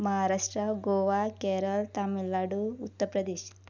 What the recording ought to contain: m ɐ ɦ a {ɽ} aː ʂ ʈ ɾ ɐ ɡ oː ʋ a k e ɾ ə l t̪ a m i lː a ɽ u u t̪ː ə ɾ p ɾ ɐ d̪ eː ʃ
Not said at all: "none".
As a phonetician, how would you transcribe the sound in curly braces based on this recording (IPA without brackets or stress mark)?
ɾ